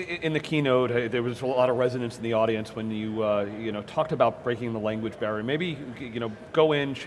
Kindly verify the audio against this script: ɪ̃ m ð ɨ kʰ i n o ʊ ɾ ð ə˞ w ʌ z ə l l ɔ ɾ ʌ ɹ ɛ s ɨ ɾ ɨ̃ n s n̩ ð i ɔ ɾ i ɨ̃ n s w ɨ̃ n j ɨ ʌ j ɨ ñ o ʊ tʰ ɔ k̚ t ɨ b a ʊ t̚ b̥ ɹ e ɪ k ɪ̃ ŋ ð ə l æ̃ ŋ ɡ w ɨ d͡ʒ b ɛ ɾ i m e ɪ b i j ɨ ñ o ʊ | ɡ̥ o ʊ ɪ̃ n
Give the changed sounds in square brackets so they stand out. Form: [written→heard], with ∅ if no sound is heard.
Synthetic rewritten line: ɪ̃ [m→n] ð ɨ kʰ i n o ʊ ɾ ð ə˞ w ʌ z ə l l ɔ ɾ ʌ ɹ ɛ [s→z] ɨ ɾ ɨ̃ n s n̩ ð i ɔ ɾ i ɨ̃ n s w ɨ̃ n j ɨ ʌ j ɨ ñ o ʊ tʰ ɔ k̚ t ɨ b a ʊ t̚ b̥ ɹ e ɪ k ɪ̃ ŋ ð ə l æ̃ ŋ ɡ w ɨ d͡ʒ b ɛ [ɾ→ɹ] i m e ɪ b i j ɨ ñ o ʊ | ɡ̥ o ʊ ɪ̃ n